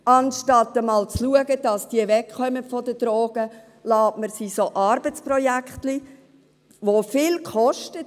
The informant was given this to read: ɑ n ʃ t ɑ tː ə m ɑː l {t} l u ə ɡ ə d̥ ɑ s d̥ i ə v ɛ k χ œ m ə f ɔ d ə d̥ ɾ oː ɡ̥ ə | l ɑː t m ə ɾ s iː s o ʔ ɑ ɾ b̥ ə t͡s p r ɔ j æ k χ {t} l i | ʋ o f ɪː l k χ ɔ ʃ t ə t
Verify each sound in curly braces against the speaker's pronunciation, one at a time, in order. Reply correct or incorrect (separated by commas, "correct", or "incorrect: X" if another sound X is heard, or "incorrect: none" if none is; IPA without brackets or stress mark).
incorrect: t͡s, correct